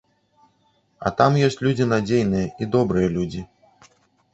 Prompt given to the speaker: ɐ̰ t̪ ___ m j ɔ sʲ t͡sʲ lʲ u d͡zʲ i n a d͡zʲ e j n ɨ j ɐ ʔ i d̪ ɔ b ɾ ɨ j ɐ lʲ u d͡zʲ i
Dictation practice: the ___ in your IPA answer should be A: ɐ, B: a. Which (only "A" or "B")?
B